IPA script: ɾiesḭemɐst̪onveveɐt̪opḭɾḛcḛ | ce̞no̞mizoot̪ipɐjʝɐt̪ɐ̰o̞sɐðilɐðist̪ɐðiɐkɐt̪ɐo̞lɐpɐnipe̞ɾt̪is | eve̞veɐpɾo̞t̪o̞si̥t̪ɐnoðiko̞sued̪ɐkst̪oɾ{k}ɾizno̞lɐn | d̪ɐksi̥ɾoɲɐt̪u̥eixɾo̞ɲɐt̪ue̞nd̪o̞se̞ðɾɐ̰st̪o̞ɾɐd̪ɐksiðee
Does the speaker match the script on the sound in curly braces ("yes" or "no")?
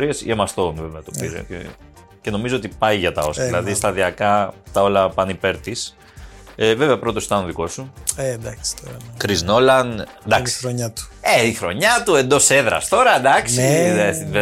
yes